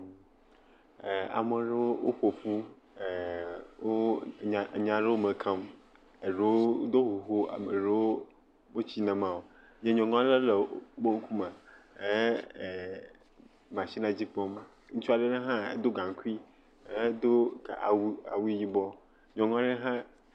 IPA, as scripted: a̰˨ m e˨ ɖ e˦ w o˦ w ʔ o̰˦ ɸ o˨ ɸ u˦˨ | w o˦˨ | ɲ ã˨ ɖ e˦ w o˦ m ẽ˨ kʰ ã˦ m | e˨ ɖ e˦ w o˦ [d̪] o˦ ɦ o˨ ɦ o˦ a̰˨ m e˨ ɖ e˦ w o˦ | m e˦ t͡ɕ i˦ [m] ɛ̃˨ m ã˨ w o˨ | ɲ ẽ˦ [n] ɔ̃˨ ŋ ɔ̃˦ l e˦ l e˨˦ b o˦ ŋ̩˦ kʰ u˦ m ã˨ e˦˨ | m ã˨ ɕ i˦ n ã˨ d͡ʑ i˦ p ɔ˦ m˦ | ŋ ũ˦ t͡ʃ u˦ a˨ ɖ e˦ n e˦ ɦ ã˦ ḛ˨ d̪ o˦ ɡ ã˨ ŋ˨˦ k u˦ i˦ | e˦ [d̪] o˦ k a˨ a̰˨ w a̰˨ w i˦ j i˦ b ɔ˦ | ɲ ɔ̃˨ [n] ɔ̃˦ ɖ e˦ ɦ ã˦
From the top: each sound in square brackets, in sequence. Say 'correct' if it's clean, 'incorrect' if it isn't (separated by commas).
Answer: correct, incorrect, incorrect, correct, incorrect